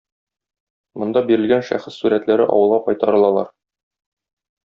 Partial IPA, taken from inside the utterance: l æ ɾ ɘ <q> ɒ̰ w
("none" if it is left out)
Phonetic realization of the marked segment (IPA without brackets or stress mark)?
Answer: ʔ